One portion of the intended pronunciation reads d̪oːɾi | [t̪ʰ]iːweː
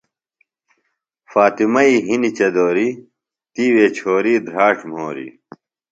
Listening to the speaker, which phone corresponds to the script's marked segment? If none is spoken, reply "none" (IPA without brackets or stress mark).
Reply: t̪